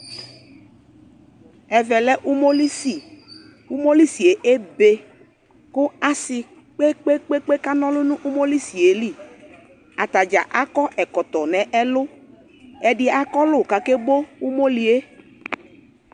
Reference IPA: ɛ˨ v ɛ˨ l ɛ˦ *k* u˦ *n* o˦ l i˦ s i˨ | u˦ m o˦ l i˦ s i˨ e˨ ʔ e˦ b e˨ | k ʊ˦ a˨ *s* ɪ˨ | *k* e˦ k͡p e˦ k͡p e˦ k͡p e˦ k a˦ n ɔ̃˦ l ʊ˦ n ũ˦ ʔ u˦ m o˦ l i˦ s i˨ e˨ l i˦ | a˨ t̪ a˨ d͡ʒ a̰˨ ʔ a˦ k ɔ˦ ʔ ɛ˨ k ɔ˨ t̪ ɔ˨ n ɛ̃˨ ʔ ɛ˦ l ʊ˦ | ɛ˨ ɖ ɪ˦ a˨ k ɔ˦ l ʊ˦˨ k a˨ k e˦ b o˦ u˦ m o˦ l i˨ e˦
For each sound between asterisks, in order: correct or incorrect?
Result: incorrect, incorrect, correct, incorrect

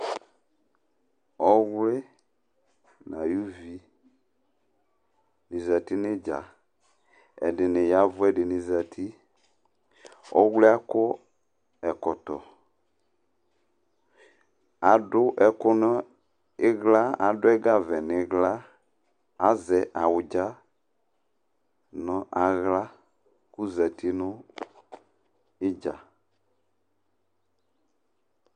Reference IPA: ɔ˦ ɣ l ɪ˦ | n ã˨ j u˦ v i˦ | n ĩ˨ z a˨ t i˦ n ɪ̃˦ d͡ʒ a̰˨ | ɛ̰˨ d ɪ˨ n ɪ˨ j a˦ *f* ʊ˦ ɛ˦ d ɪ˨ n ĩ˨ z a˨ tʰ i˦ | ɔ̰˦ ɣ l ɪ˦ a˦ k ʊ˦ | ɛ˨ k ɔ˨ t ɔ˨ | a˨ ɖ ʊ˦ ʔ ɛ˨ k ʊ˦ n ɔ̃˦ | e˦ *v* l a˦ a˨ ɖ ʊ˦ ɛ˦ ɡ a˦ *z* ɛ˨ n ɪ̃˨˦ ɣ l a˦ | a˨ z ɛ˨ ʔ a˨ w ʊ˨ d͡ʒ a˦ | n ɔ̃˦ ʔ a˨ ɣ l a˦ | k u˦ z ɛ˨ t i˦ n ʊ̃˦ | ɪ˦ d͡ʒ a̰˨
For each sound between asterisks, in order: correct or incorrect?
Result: incorrect, incorrect, incorrect

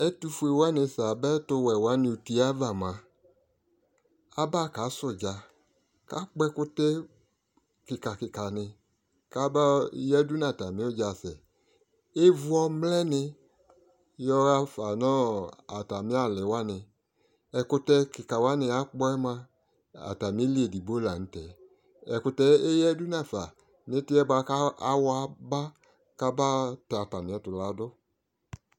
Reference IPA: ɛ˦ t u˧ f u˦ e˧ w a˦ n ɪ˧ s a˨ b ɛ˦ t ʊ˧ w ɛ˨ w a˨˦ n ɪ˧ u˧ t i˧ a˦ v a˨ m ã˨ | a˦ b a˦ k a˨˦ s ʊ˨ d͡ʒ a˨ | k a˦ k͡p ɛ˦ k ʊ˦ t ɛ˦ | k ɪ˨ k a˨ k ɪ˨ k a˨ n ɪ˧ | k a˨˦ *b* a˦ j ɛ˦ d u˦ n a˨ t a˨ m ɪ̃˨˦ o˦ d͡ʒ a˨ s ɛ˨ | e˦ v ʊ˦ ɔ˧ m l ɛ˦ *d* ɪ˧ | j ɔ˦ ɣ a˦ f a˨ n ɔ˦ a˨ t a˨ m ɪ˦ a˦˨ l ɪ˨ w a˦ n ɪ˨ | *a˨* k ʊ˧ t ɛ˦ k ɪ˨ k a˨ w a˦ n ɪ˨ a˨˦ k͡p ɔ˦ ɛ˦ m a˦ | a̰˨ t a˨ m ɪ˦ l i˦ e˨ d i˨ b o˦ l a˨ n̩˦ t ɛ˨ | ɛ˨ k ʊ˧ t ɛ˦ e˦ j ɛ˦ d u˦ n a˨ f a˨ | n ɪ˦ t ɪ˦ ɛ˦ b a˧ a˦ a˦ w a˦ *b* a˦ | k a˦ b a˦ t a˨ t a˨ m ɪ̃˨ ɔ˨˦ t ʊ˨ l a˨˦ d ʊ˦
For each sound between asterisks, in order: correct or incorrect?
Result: correct, incorrect, incorrect, correct

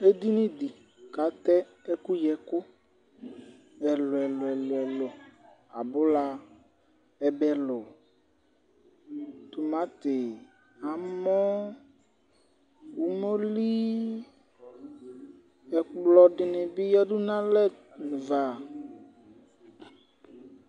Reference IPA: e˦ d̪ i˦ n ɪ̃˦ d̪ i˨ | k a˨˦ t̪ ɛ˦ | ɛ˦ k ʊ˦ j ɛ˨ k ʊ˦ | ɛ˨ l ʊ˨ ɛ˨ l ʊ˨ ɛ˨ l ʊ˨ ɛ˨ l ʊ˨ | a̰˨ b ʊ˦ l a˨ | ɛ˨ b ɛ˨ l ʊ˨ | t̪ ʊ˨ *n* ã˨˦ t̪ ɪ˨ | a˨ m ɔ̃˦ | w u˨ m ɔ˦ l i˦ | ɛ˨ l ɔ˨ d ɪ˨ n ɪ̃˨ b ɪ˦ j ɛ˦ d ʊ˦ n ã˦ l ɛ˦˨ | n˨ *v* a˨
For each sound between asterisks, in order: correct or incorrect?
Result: incorrect, correct

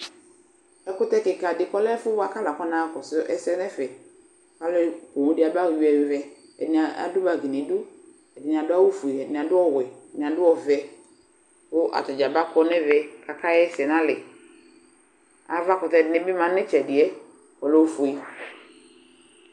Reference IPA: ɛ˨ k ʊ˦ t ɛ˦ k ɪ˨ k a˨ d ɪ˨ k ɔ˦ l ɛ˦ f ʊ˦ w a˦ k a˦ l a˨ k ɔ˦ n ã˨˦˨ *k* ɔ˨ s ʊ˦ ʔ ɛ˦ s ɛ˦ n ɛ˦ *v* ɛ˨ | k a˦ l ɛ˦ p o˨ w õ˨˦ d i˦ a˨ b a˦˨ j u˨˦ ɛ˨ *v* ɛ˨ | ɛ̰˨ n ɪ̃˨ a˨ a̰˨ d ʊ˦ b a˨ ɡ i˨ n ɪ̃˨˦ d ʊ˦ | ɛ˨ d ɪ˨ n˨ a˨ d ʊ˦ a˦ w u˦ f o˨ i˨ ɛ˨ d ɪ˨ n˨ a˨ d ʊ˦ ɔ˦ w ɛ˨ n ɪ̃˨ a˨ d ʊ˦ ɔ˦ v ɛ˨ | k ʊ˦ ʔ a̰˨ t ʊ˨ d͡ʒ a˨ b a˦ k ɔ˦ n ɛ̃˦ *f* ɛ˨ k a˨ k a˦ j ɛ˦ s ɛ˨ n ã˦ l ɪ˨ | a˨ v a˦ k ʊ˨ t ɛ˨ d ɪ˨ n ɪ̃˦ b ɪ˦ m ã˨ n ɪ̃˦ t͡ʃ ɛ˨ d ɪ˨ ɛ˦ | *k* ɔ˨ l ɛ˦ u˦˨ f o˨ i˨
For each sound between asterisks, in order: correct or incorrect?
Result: correct, incorrect, correct, incorrect, correct

